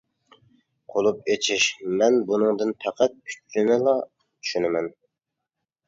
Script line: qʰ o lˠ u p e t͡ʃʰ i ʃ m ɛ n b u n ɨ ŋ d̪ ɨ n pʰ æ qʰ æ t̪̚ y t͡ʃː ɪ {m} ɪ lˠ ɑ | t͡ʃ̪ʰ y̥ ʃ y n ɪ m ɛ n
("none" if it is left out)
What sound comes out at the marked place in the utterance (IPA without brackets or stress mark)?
n